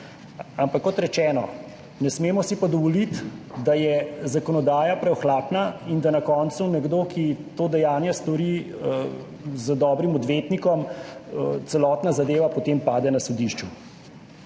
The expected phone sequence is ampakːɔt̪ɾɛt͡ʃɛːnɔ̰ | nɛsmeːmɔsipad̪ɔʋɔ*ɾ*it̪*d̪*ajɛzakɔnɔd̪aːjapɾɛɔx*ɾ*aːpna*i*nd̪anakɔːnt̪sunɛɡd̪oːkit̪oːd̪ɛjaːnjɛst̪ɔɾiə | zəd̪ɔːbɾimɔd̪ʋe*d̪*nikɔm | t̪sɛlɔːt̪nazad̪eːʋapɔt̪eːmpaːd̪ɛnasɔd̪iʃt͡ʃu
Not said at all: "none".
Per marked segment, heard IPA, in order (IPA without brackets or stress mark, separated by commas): l, d̪, l, i, t̪